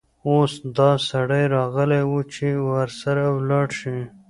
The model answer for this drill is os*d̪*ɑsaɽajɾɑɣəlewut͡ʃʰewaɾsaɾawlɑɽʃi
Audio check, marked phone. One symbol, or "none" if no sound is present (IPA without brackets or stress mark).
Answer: d̪